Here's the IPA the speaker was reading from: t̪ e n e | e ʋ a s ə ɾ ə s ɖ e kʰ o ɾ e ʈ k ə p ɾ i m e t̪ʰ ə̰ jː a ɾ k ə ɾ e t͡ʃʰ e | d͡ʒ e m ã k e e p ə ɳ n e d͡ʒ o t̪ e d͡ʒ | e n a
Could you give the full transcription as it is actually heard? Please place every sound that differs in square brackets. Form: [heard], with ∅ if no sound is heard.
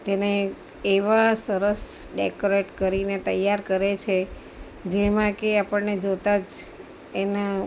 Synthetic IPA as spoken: t̪ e n e | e ʋ a s ə ɾ ə s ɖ e [k] o ɾ e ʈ k ə [∅] ɾ i [n] e [t̪] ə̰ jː a ɾ k ə ɾ e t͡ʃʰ e | d͡ʒ e m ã k e [a] p ə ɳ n e d͡ʒ o t̪ [a] d͡ʒ | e n a